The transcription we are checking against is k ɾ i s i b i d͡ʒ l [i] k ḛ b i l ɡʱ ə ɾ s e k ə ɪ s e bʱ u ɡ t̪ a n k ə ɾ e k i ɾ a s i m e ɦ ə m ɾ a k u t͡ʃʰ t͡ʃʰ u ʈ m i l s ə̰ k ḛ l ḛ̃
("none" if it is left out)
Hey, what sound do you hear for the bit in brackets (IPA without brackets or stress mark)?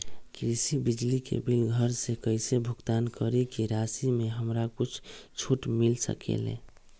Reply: i